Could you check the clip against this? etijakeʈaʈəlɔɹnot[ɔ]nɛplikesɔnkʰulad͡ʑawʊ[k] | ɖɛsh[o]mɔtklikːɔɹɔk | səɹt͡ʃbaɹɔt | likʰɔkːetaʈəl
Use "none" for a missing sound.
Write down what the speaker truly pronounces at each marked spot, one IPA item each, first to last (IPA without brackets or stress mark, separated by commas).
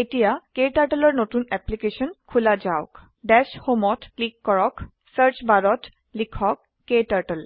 u, k, o